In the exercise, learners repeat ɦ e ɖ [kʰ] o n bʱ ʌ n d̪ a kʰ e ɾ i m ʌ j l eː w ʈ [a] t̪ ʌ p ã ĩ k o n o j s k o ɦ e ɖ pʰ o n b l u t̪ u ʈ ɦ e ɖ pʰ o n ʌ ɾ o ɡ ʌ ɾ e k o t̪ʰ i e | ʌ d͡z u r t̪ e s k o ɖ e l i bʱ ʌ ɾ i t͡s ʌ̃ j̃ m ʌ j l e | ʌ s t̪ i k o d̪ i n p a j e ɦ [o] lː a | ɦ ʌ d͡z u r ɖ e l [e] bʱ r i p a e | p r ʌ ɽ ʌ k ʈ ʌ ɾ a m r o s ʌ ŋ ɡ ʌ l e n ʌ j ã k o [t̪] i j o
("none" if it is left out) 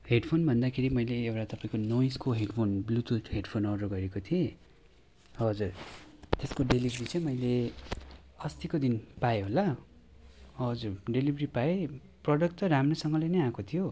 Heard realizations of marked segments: pʰ, a, o, i, t̪ʰ

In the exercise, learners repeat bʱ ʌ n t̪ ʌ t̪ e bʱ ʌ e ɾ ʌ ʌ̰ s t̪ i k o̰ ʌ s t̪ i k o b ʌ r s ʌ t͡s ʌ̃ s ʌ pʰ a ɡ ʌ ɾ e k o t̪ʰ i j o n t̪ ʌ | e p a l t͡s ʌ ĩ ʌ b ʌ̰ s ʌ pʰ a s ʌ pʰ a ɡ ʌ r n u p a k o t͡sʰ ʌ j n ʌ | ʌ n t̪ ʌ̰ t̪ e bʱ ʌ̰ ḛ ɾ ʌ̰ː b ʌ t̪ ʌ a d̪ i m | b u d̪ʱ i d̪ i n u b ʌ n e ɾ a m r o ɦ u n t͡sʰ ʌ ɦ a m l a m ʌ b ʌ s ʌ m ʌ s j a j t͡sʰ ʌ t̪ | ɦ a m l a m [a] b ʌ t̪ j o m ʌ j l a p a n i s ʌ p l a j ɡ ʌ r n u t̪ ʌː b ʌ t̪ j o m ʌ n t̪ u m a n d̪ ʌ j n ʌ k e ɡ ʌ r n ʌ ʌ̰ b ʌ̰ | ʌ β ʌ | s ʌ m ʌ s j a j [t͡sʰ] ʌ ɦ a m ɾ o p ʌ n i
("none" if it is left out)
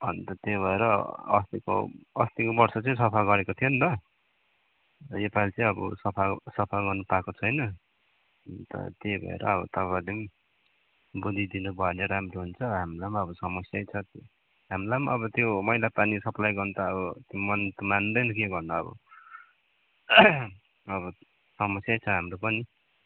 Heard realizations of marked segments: ʌ, t͡sʰ

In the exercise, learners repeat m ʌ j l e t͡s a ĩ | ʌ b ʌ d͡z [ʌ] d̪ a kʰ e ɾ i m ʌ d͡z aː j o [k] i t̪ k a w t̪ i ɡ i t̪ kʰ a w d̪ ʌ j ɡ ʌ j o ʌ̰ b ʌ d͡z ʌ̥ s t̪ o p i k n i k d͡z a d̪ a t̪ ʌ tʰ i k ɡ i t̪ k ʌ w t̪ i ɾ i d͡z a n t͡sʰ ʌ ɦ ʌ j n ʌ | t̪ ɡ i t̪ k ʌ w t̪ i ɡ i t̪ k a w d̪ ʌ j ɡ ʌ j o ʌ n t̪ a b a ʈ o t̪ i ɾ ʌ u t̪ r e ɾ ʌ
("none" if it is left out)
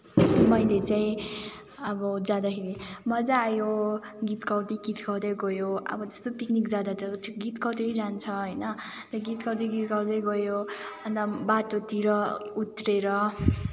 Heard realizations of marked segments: a, ɡ

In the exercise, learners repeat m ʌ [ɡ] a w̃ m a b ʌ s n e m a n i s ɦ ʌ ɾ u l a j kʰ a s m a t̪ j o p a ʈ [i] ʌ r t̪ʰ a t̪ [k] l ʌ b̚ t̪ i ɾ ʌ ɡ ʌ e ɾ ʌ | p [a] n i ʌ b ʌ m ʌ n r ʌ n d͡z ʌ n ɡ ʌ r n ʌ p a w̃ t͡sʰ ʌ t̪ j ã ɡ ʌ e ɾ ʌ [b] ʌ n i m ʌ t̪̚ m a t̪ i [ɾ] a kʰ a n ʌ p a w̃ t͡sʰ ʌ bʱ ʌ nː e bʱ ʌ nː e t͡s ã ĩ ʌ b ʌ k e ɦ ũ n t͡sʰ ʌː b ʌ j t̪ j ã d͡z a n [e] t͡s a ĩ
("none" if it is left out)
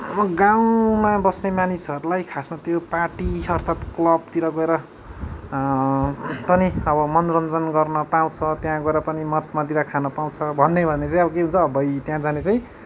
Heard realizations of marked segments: ɡ, i, k, ʌ, p, ɾ, e

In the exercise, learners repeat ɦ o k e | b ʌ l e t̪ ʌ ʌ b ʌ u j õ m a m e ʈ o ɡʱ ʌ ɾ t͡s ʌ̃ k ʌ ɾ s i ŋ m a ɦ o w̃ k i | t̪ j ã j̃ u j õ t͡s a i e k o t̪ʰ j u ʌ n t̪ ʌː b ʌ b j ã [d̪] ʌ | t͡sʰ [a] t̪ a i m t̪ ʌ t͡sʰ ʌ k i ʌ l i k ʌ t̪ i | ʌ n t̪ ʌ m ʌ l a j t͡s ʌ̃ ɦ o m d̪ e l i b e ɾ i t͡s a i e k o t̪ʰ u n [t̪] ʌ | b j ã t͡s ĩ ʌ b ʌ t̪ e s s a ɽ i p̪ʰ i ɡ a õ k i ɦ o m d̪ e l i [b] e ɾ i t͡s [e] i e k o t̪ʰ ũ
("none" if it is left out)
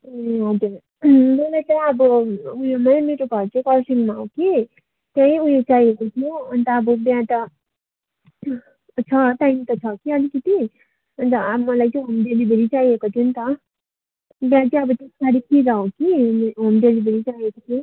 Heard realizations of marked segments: t̪, ʌ, t̪, b, a

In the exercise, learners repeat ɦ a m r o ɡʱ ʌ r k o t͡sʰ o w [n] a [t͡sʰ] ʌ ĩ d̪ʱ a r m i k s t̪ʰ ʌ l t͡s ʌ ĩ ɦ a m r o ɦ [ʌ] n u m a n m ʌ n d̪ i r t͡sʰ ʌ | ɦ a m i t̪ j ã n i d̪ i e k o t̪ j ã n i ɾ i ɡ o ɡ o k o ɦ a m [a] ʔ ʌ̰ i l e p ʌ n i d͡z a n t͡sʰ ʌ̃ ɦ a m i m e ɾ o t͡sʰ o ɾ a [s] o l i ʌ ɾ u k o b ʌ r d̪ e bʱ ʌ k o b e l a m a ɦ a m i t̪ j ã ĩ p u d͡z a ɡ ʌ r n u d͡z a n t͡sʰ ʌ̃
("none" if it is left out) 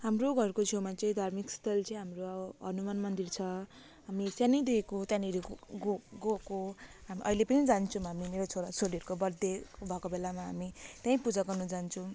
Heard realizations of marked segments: m, t͡s, ʌ, i, s

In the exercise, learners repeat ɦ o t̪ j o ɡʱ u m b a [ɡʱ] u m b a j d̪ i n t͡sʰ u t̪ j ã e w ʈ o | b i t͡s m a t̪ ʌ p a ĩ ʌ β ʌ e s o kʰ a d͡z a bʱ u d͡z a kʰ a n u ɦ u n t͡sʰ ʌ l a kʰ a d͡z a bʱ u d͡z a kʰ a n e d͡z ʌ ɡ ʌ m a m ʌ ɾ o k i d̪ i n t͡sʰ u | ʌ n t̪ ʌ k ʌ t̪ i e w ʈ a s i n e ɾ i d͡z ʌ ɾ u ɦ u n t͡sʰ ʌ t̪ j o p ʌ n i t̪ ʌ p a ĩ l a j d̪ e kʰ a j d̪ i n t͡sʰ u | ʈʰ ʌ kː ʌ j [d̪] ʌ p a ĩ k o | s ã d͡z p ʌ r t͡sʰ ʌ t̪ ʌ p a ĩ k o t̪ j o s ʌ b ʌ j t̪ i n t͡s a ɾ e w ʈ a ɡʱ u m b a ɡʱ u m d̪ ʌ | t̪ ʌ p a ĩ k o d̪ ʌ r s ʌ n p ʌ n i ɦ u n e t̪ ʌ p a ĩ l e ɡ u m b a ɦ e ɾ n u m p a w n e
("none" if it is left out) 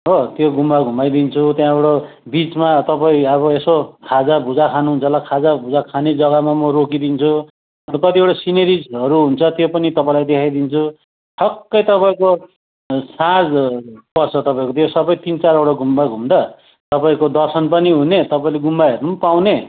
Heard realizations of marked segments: ɡʱ, t̪

